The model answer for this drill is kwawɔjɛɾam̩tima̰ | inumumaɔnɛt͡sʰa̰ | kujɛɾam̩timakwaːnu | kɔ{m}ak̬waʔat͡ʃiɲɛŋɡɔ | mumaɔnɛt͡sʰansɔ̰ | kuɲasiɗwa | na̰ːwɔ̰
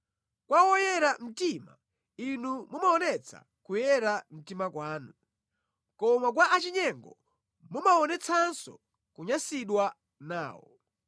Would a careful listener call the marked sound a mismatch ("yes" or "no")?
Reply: no